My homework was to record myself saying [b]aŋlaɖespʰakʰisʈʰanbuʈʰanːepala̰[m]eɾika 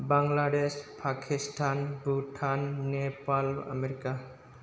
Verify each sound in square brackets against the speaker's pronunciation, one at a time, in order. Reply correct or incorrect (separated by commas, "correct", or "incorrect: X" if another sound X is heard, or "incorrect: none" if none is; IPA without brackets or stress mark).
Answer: correct, correct